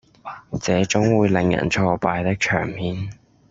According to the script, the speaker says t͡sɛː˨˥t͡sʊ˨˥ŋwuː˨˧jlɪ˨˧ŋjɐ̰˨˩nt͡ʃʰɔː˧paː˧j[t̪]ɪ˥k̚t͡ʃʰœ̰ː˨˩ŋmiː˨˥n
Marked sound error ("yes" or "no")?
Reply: no